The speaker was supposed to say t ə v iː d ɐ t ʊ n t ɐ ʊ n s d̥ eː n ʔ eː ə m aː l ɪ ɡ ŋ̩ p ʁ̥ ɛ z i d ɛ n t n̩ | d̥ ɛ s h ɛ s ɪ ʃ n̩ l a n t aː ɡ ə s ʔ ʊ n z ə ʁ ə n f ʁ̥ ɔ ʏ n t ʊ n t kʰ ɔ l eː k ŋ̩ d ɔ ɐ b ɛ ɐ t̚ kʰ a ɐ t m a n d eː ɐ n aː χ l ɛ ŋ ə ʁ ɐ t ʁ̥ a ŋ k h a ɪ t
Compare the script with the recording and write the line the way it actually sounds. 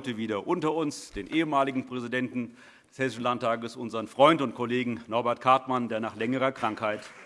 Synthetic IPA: t ə v iː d ɐ ʔ ʊ n t ɐ ʊ n s d̥ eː n ʔ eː ə m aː l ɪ ɡ ŋ̩ p ʁ̥ ɛ z i d ɛ n t n̩ | d̥ ɛ s h ɛ s ɪ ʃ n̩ l a n t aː ɡ ə s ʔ ʊ n z ə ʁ ə n f ʁ̥ ɔ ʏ n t ʊ n t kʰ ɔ l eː ɡ ŋ̩ n ɔ ɐ b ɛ ɐ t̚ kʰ a ɐ t m a n d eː ɐ n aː χ l ɛ ŋ ə ʁ ɐ k ʁ̥ a ŋ k h a ɪ t